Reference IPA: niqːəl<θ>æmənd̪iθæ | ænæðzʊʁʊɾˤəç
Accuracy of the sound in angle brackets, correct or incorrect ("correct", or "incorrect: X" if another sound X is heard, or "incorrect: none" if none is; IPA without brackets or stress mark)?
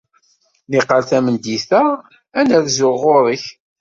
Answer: correct